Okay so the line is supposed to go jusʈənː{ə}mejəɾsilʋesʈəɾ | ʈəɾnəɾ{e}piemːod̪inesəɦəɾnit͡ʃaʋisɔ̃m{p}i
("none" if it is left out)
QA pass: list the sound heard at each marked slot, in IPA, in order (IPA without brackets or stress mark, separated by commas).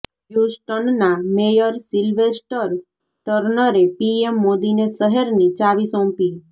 a, e, p